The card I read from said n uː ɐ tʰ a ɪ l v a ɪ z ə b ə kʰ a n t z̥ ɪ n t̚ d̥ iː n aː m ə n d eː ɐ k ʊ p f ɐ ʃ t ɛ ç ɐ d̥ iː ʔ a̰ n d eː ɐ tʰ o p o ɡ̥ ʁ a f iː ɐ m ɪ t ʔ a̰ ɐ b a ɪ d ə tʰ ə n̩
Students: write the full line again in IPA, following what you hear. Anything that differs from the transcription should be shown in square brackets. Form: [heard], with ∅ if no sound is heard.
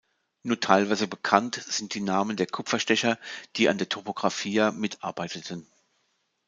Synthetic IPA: n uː ɐ tʰ a ɪ l v a ɪ z ə b ə kʰ a n t z̥ ɪ n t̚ d̥ iː n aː m ə n d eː ɐ [kʰ] ʊ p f ɐ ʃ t ɛ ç ɐ d̥ iː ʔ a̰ n d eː ɐ tʰ o p o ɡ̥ ʁ a f iː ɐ m ɪ t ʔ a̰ ɐ b a ɪ [t] ə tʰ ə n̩